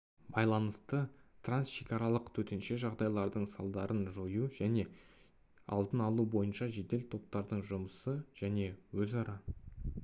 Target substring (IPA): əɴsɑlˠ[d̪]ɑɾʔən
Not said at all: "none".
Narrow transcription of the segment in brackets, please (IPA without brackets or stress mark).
d̪